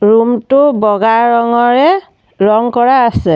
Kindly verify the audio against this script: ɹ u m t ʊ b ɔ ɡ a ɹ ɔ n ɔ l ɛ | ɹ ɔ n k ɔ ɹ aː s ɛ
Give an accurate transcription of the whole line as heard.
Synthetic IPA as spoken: ɹ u m t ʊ b ɔ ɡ a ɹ ɔ ŋ ɔ ɹ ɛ | ɹ ɔ ŋ k ɔ ɹ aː s ɛ